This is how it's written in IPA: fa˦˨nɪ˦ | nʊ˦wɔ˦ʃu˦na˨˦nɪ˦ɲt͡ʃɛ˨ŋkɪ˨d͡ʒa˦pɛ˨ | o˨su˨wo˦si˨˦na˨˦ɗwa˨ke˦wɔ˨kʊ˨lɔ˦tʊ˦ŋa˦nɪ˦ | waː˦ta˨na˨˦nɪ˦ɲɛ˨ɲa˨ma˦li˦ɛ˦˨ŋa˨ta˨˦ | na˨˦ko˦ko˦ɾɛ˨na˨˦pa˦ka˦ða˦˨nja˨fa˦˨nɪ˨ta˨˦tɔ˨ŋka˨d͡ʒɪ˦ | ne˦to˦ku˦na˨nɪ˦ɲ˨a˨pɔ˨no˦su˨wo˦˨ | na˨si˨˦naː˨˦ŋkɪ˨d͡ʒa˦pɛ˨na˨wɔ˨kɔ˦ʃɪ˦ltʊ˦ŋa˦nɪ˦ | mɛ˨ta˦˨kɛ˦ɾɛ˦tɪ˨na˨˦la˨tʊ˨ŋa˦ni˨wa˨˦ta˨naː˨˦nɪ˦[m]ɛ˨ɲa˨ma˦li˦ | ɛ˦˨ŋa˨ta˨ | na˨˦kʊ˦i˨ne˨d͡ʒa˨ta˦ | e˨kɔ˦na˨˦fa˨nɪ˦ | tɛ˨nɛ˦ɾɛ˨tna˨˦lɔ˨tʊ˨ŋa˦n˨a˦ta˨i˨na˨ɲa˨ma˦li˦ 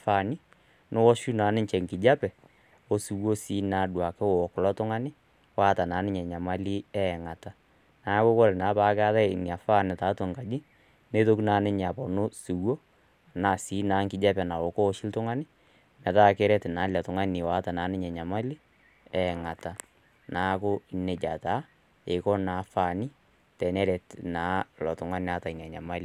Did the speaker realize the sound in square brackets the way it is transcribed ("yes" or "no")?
no